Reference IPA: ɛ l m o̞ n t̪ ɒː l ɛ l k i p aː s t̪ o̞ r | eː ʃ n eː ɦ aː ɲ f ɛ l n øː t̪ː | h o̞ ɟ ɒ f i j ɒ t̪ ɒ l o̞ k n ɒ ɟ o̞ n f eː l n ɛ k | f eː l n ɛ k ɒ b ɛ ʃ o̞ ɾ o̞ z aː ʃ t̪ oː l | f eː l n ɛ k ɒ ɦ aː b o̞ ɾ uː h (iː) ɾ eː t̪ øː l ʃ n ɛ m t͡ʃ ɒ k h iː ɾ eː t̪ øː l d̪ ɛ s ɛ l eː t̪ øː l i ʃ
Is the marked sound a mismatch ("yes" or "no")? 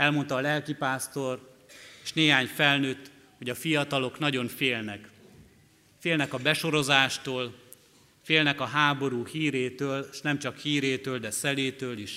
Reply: no